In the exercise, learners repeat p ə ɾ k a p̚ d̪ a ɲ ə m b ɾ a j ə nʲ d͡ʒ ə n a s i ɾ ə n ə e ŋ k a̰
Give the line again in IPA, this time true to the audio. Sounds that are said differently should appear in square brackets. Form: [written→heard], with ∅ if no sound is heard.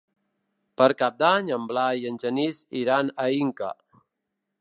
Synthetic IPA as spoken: p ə ɾ k a p̚ d̪ a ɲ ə m b [ɾ→l] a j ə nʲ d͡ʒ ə n [a→i] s i ɾ [ə→a] n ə [e→i] ŋ k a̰